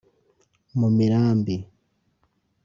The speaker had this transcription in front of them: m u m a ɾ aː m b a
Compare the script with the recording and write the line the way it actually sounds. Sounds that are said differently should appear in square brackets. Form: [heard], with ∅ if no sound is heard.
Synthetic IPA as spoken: m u m [i] ɾ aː m b [i]